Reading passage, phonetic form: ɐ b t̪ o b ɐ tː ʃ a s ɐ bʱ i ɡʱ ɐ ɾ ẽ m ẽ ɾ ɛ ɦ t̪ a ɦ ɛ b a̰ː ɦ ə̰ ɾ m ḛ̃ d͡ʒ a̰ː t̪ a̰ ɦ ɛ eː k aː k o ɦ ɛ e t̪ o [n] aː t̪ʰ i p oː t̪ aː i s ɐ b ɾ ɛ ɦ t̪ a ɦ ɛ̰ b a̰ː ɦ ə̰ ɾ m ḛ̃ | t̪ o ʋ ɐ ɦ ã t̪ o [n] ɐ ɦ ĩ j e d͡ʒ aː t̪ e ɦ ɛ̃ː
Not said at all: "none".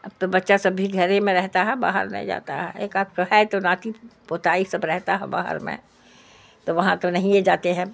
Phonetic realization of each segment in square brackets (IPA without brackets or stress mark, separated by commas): n, n